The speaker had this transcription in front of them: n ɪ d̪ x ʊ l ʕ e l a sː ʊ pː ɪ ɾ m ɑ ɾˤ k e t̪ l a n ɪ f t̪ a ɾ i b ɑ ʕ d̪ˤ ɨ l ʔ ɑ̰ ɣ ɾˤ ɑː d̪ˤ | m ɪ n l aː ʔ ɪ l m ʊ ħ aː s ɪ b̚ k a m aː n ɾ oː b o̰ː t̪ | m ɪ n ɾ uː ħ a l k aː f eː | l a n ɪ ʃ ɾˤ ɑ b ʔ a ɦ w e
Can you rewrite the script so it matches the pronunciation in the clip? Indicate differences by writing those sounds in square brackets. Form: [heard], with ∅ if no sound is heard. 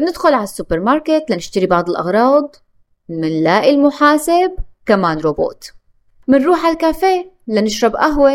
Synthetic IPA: n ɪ d̪ x ʊ l ʕ [a] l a sː ʊ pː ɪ ɾ m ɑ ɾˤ k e t̪ l a n ɪ [ʃ] t̪ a ɾ i b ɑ ʕ d̪ˤ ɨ l ʔ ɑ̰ ɣ ɾˤ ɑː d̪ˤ | m ɪ n l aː ʔ ɪ l m ʊ ħ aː s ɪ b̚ k a m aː n ɾ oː b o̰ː t̪ | m ɪ n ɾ uː ħ a l k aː f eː | l a n ɪ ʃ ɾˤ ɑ b ʔ a ɦ w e